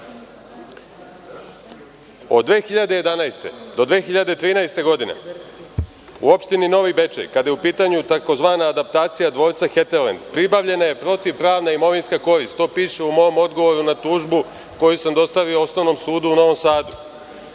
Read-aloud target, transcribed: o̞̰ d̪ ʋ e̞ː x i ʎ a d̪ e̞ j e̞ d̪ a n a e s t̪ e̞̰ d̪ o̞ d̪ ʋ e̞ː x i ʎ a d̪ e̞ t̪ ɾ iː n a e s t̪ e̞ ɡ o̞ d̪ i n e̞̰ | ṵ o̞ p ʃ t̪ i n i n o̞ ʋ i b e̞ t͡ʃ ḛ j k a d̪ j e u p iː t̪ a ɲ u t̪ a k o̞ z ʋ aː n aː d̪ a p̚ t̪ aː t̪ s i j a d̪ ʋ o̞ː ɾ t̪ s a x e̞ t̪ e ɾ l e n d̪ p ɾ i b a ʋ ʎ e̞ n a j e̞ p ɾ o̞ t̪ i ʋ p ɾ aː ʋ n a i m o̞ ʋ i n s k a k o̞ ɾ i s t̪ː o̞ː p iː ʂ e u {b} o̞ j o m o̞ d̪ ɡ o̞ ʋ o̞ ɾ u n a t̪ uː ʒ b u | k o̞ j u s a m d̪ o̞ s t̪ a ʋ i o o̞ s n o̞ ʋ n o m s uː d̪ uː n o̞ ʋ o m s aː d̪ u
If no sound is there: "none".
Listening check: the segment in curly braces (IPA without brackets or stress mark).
m